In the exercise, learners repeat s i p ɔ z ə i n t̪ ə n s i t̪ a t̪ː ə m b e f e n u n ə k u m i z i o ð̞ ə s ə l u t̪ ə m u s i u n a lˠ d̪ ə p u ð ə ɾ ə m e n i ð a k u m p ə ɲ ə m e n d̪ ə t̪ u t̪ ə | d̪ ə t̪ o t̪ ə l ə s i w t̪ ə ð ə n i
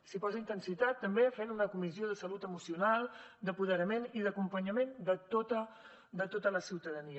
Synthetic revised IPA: s i p ɔ z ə i n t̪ ə n s i t̪ a t̪ː ə m b e f e n u n ə k u m i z i o ð̞ ə s ə l u t̪ ə m u s i u n a lˠ d̪ ə p u ð ə ɾ ə m e n i ð ə k u m p ə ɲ ə m e n d̪ ə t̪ o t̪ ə | d̪ ə t̪ o t̪ ə l ə s i w t̪ ə ð ə n i